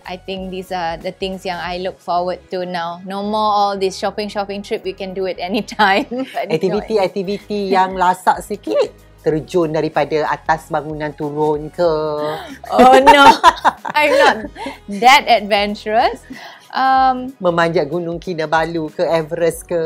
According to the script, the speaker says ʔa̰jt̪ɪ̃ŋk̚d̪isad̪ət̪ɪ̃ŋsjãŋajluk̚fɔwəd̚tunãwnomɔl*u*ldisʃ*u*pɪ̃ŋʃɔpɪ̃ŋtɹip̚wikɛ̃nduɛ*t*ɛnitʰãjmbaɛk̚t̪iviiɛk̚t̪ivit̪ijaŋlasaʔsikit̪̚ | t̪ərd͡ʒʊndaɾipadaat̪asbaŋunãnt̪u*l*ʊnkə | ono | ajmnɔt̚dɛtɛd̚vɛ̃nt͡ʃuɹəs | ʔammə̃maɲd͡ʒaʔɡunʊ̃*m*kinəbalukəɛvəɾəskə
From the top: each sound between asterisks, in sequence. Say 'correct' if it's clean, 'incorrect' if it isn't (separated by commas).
incorrect, incorrect, correct, incorrect, incorrect